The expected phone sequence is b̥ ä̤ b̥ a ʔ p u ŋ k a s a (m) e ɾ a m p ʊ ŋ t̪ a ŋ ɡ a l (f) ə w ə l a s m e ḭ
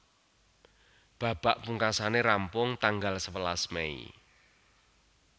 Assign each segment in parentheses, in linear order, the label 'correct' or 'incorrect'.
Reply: incorrect: n, incorrect: s

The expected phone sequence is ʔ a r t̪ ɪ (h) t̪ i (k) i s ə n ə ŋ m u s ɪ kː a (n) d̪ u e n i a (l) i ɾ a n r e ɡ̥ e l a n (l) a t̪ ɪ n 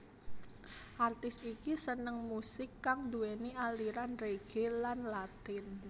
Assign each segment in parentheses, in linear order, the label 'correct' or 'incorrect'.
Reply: incorrect: s, correct, incorrect: ŋ, correct, correct

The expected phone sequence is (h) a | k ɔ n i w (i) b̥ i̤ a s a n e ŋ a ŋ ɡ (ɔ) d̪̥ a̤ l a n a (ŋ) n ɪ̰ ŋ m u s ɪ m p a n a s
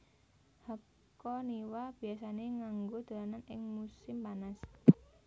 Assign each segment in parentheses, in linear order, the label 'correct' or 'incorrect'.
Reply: correct, incorrect: a, incorrect: o, incorrect: none

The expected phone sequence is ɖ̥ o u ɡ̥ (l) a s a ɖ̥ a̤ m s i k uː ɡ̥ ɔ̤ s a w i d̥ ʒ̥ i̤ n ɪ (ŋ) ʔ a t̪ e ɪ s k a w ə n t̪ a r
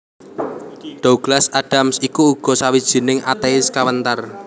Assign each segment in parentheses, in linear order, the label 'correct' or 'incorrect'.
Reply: correct, correct

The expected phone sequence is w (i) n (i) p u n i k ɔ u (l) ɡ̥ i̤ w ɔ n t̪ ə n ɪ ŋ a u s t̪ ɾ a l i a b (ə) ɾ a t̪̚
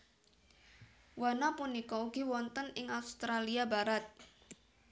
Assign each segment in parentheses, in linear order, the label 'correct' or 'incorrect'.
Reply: incorrect: a, incorrect: a, incorrect: none, incorrect: a

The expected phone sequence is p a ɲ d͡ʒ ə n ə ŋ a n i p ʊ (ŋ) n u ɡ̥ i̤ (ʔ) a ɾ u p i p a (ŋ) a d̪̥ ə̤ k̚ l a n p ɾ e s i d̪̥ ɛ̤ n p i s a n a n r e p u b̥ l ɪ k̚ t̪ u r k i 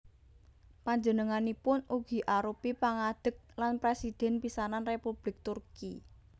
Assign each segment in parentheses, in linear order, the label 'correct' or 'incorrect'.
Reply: incorrect: none, correct, correct

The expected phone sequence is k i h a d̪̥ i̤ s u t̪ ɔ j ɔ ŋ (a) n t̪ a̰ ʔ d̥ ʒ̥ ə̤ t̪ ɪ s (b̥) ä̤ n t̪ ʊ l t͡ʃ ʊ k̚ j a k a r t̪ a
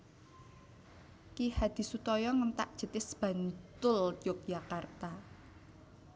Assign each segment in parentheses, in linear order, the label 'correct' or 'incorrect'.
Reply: incorrect: ə, correct

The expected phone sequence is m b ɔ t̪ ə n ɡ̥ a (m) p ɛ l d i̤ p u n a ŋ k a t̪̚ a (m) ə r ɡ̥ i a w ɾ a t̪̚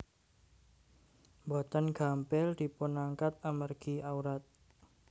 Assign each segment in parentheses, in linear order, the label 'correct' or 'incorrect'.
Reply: correct, correct

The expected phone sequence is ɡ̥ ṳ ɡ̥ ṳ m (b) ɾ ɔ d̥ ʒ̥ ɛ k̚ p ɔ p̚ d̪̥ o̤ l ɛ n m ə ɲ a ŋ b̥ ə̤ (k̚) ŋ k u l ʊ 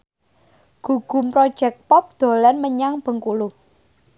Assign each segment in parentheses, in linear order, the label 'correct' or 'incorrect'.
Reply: incorrect: p, incorrect: none

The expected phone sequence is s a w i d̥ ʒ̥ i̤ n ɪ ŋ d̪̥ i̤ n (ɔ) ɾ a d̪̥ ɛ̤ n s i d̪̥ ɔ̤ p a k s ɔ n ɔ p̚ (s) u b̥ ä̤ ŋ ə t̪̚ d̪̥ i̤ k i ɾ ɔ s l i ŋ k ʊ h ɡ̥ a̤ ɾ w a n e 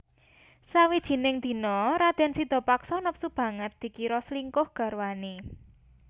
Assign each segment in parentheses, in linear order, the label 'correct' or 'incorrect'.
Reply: correct, correct

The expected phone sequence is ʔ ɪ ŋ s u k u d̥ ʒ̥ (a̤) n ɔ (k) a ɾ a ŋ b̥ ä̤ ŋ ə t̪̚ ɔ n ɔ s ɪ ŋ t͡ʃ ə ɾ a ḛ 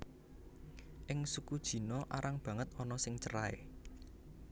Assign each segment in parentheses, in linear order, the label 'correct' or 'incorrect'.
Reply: incorrect: i̤, incorrect: ʔ

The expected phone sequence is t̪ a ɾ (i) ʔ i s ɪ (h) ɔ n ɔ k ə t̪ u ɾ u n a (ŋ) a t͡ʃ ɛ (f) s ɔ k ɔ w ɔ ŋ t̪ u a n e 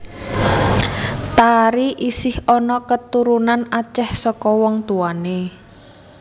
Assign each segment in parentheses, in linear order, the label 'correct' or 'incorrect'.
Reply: correct, correct, incorrect: n, incorrect: h

